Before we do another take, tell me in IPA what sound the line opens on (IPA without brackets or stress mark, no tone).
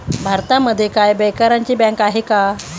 bʱ